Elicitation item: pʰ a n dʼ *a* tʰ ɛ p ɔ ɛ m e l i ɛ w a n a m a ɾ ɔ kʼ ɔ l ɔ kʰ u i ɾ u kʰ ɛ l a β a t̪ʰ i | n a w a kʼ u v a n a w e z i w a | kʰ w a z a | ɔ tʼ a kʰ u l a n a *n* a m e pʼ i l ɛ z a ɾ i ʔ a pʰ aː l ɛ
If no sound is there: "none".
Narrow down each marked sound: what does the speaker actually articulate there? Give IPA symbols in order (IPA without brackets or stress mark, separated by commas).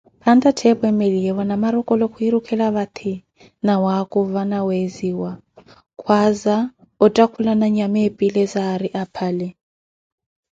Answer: a, ɲ